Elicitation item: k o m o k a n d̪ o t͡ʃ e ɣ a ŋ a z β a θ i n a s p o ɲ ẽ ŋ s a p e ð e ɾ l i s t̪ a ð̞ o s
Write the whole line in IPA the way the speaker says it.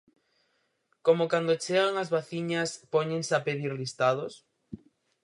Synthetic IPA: k o m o k a n d̪ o t͡ʃ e ɣ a ŋ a z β a θ i ɲ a s p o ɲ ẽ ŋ s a p e ð i ɾ l i s t̪ a ð̞ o s